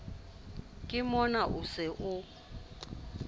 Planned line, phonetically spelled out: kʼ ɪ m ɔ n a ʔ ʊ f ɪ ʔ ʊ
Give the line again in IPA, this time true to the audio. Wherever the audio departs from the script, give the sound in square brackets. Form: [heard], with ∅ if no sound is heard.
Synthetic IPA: kʼ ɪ m ɔ n a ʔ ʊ [s] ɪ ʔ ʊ